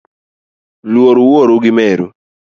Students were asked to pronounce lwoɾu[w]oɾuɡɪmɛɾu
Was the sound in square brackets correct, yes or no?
yes